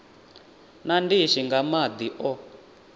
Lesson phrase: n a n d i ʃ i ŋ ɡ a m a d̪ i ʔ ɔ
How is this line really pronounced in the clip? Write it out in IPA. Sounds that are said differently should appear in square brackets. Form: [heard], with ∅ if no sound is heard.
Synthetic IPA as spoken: n a n d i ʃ i ŋ ɡ a m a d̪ i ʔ ɔ